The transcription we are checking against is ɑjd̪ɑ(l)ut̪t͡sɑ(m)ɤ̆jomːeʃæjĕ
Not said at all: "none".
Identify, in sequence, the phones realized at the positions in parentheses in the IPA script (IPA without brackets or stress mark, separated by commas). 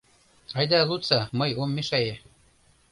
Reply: l, m